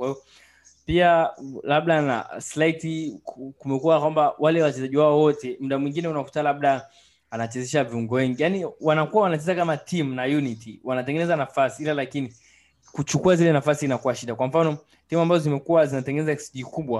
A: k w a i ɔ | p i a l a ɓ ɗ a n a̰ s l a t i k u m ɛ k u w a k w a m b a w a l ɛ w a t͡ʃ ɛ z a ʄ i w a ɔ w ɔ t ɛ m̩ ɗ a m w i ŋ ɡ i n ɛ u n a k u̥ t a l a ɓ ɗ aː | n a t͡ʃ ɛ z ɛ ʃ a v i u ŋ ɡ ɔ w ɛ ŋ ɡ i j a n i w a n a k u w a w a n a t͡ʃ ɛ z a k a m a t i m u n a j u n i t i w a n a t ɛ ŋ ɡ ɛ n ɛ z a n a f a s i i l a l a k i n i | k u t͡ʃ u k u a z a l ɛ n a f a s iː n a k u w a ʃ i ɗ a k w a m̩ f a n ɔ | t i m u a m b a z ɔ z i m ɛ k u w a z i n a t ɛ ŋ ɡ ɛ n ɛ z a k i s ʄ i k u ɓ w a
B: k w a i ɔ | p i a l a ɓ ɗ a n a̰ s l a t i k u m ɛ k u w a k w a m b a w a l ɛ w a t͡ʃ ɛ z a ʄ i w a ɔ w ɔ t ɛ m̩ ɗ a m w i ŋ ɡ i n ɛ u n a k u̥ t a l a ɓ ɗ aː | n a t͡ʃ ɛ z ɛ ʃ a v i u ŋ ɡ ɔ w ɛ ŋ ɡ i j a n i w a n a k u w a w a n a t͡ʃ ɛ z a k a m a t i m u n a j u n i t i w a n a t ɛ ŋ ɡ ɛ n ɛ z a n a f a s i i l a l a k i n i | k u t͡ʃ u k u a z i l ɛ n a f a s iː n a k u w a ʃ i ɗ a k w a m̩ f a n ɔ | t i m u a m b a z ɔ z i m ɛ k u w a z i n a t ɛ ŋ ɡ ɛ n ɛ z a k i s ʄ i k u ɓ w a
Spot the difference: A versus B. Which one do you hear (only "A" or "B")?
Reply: B